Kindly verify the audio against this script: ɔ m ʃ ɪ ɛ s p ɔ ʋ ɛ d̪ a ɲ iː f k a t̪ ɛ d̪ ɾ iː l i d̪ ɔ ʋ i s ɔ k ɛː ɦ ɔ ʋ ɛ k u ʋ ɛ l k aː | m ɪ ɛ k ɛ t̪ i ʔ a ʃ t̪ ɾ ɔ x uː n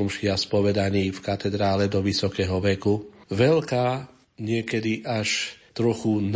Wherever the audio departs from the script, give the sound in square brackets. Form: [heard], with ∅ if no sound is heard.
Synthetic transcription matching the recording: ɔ m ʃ ɪ [a] s p ɔ ʋ ɛ d̪ a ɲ iː f k a t̪ ɛ d̪ ɾ [aː] l [ɛ] d̪ ɔ ʋ i s ɔ k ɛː ɦ ɔ ʋ ɛ k u ʋ ɛ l k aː | [ɲ] ɪ ɛ k ɛ [d̪] i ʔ a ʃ t̪ ɾ ɔ x [u] n